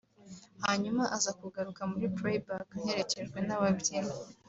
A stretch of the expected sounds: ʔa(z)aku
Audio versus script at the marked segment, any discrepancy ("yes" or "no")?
no